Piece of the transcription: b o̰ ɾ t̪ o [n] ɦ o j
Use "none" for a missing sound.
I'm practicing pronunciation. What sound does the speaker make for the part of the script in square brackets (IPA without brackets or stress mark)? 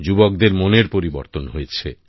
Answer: n